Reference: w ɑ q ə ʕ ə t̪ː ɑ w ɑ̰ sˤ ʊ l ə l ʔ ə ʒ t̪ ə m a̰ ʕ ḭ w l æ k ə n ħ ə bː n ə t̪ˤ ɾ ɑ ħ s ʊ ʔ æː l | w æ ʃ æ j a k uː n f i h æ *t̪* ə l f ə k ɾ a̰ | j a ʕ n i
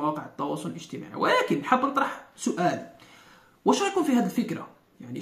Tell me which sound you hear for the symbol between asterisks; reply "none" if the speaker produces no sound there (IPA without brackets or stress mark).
d̪